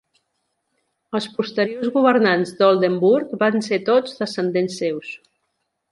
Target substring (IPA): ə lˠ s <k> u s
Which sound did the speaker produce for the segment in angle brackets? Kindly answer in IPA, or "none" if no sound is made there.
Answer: p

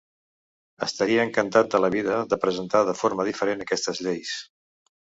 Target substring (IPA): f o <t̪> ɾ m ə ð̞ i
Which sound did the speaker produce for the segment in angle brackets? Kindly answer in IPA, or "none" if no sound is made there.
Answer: none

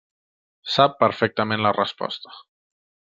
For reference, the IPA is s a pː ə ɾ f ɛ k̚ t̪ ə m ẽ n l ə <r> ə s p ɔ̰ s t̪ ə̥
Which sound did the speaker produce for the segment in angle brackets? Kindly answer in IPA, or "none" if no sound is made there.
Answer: r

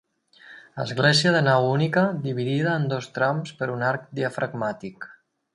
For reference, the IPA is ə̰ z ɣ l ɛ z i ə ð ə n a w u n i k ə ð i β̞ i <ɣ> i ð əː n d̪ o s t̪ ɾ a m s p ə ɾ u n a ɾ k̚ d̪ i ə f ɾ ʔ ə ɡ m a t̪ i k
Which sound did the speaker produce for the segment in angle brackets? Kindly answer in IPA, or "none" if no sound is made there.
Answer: ð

